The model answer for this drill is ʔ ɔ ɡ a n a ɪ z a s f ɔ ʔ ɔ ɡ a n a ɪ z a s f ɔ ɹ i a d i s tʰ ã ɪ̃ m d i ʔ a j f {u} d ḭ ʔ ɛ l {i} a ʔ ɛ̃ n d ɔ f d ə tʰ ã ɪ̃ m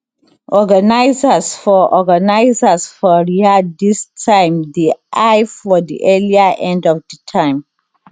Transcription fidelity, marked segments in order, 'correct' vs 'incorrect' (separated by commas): incorrect, correct